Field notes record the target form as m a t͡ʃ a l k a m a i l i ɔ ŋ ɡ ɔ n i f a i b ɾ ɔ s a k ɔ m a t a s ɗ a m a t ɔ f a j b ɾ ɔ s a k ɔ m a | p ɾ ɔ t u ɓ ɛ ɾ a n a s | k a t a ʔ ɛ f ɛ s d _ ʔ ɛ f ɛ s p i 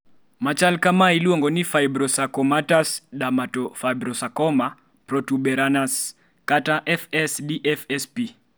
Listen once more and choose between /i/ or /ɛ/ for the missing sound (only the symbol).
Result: i